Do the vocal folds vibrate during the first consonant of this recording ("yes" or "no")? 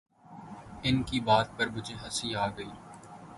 yes